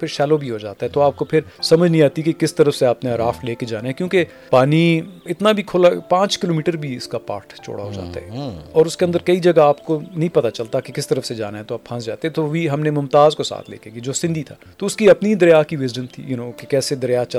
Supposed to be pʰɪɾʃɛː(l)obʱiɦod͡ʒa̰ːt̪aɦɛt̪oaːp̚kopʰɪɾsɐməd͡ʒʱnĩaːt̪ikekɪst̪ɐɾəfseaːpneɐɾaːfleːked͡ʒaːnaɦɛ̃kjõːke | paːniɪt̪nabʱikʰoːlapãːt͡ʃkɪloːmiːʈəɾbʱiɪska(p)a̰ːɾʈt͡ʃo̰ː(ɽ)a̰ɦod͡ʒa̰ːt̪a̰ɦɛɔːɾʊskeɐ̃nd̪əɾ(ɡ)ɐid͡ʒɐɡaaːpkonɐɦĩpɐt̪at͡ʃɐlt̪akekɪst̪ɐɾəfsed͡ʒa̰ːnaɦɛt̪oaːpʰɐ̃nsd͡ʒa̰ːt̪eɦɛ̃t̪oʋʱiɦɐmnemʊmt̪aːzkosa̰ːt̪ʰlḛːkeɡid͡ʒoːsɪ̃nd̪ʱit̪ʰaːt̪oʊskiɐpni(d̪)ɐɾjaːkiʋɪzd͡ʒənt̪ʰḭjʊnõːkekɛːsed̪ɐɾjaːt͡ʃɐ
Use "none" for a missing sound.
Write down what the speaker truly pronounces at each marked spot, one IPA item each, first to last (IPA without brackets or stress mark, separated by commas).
l, p, ɽ, k, d̪